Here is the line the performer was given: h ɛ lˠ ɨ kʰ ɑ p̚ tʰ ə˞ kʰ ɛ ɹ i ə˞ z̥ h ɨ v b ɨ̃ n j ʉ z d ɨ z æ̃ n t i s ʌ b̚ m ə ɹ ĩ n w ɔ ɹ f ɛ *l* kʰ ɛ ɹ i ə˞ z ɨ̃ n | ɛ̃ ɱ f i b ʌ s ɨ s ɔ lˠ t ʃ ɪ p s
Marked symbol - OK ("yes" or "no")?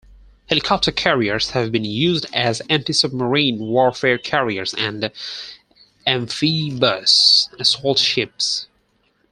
no